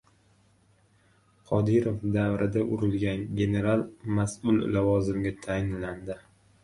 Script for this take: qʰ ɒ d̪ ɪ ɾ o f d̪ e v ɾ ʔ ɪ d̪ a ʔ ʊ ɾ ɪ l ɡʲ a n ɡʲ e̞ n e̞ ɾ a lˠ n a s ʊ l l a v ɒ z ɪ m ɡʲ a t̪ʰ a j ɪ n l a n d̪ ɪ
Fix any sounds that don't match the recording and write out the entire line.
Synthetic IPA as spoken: qʰ ɒ d̪ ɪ ɾ o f d̪ a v ɾ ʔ ɪ d̪ a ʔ ʊ ɾ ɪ l ɡʲ a n ɡʲ e̞ n e̞ ɾ a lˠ m a s ʊ l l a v ɒ z ɪ m ɡʲ a t̪ʰ a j ɪ n l a n d̪ ɪ